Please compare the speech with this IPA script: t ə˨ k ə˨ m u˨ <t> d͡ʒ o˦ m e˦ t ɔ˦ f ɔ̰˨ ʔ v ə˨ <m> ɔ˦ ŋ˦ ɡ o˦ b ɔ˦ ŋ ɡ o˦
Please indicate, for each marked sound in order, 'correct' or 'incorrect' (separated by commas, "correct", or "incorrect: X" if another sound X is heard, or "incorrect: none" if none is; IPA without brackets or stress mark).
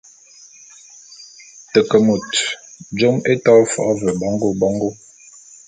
correct, incorrect: b